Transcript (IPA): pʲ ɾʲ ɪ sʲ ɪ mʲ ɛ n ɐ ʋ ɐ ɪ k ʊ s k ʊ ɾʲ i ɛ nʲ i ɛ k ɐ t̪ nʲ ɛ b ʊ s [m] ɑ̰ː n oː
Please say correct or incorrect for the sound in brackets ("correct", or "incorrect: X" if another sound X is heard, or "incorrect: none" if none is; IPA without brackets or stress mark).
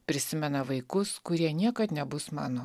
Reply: correct